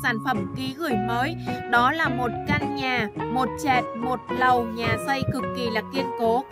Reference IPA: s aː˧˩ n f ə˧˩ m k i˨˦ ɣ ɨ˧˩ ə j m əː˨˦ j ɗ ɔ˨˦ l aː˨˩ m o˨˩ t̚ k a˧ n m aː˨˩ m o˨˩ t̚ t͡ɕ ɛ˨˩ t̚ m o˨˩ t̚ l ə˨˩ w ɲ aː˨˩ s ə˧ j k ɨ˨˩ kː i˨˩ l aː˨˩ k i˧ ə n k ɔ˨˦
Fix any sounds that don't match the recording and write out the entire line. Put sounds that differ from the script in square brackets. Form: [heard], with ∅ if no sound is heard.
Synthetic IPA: s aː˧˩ n f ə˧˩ m k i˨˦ ɣ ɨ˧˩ ə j m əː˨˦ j ɗ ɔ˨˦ l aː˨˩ m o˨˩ t̚ k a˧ n [ɲ] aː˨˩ m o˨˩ t̚ t͡ɕ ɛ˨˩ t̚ m o˨˩ t̚ l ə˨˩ w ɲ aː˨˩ s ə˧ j k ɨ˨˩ kː i˨˩ l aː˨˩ k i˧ ə n k [o˨˦]